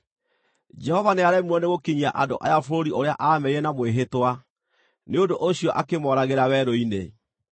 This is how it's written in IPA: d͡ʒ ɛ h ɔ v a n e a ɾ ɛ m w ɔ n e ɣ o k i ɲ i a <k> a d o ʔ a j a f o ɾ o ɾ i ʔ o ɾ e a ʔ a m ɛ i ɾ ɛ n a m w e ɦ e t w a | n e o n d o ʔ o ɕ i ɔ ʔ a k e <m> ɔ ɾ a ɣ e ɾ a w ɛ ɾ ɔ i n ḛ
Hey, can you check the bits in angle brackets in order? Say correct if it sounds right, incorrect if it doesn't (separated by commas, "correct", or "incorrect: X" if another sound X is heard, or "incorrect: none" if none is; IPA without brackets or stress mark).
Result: incorrect: ʔ, correct